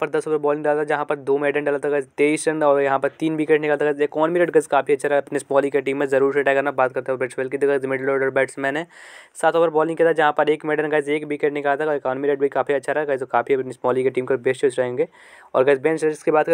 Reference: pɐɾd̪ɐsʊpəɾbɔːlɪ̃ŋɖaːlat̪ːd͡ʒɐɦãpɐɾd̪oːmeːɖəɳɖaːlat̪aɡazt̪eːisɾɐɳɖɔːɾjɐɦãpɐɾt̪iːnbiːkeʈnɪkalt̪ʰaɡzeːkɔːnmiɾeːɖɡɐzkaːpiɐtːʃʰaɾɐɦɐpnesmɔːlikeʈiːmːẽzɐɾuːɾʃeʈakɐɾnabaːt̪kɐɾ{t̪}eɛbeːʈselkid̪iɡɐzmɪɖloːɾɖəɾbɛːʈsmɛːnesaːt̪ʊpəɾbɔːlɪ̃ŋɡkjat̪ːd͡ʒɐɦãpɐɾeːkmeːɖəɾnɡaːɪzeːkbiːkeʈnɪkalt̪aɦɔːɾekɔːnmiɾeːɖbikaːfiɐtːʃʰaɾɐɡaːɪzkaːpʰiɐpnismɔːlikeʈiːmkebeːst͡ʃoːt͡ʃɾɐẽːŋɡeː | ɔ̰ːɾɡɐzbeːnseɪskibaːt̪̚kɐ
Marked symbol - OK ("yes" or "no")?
yes